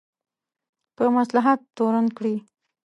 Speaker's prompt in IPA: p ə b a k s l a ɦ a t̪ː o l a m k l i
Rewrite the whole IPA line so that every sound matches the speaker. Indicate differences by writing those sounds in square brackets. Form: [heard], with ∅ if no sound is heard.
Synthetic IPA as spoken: p ə [m] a [∅] s l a ɦ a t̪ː o [ɾ] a [n] k [ɽ] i